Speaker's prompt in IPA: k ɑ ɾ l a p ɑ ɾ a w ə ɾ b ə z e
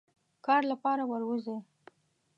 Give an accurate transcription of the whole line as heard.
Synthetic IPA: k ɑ ɾ l a p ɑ ɾ a w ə ɾ w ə z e